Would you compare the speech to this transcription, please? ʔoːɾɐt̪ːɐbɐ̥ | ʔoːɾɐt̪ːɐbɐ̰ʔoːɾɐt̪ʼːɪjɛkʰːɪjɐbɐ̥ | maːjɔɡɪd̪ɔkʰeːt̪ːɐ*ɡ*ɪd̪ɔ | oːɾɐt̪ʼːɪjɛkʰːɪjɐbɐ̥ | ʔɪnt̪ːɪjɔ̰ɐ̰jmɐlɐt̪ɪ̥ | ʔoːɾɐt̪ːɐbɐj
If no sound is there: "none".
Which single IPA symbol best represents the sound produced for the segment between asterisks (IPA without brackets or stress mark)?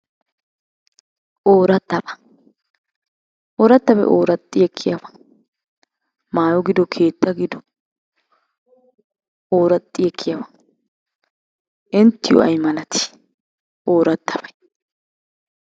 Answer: ɡ